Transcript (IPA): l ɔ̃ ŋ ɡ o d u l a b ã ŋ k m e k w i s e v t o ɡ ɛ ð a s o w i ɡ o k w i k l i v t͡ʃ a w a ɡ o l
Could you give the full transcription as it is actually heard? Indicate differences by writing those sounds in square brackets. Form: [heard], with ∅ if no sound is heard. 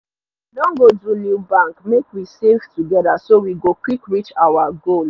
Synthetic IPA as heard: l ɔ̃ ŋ ɡ o d u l [i] b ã ŋ k m e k w i s e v t [u] ɡ ɛ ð a s o w i ɡ o k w i k [ɹ] i [∅] t͡ʃ a w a ɡ o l